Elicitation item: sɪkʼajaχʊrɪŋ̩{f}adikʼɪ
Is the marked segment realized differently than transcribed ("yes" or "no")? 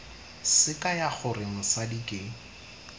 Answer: yes